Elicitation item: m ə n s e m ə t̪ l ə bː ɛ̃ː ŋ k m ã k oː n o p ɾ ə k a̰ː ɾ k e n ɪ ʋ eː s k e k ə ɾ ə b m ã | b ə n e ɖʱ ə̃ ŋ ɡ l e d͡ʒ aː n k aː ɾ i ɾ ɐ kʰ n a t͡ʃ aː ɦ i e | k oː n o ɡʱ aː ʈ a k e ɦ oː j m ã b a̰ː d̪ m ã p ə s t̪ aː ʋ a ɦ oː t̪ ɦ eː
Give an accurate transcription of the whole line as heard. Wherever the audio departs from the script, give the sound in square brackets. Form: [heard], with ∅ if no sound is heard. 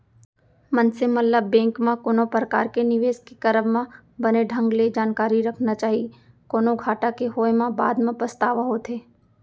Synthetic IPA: m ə n s e m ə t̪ l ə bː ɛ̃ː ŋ k m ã k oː n o p ɾ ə k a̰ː ɾ k e n ɪ ʋ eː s k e k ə ɾ ə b m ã | b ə n e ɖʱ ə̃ ŋ ɡ l e d͡ʒ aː n k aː ɾ i ɾ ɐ kʰ n a t͡ʃ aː ɦ i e | k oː n o ɡʱ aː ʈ a k e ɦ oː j m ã b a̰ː d̪ m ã p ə s t̪ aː ʋ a ɦ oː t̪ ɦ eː